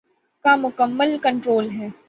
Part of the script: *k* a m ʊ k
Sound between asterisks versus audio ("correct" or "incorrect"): correct